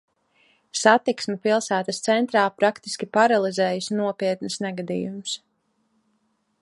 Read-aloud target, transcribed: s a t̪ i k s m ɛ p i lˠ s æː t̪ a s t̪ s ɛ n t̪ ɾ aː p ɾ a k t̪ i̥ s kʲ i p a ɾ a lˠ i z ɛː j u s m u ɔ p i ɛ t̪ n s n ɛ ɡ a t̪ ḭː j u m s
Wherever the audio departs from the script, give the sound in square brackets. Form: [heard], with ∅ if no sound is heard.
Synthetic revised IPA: s a t̪ i k s m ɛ p i lˠ s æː t̪ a s t̪ s ɛ n t̪ ɾ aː p ɾ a k t̪ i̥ s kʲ i p a ɾ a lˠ i z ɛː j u s [n] u ɔ p i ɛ t̪ n s n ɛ ɡ a [d̪] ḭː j u m s